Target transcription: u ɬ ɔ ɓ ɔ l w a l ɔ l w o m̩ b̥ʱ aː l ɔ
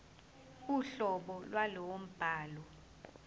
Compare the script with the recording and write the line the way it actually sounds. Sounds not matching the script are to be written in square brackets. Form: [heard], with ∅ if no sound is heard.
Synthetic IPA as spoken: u ɬ ɔ ɓ ɔ l w a l ɔ [∅] w o m̩ b̥ʱ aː l ɔ